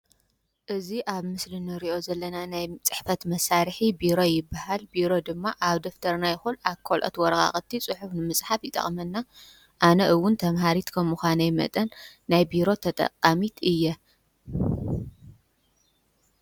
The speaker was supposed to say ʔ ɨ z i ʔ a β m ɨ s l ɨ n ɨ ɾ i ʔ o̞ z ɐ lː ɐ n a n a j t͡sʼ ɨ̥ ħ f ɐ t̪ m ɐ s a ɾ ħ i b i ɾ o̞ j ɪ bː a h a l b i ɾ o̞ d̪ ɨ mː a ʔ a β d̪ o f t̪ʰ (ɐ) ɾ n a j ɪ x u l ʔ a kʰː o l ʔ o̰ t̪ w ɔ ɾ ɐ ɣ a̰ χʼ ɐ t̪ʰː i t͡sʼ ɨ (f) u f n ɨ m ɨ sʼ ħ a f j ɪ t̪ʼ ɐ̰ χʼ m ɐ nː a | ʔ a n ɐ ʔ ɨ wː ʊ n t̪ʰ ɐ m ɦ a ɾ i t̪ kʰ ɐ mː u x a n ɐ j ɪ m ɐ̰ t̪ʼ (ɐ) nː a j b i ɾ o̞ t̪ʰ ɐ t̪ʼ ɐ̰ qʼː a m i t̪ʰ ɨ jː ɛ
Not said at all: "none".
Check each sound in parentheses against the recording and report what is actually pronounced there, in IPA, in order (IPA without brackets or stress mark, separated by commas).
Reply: ɐ, ħ, ɐ